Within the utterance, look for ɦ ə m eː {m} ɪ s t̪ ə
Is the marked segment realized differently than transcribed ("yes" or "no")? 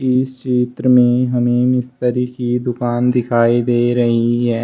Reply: no